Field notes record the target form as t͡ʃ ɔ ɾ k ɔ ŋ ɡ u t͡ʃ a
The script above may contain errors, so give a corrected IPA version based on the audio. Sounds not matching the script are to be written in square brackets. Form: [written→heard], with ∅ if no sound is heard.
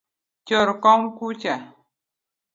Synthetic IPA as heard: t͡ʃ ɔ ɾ k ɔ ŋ [ɡ→k] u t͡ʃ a